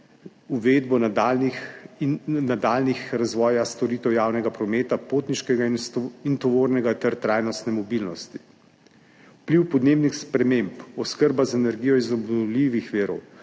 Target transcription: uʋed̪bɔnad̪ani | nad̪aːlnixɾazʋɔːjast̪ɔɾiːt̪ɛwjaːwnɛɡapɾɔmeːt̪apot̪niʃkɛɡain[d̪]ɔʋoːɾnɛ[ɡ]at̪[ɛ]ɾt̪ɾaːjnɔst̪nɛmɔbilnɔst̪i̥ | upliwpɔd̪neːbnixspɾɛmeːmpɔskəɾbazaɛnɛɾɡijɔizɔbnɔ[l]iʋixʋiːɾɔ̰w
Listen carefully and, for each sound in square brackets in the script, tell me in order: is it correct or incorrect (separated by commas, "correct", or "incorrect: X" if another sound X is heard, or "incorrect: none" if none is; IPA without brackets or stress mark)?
incorrect: t̪, correct, correct, correct